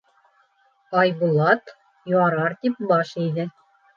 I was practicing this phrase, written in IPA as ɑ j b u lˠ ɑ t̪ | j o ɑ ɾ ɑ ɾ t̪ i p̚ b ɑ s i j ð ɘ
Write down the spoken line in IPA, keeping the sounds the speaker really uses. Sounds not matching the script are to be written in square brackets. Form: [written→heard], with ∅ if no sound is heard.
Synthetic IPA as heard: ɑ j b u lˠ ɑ t̪ | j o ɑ ɾ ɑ ɾ t̪ i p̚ b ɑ [s→ʃ] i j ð ɘ